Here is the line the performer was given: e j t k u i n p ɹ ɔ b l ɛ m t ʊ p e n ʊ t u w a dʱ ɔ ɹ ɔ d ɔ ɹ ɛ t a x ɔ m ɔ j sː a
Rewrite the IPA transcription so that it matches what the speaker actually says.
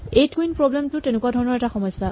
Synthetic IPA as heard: e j t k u i n p ɹ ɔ b l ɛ m t ʊ t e n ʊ k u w a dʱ ɔ ɹ ɔ n ɔ ɹ ɛ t a x ɔ m ɔ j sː a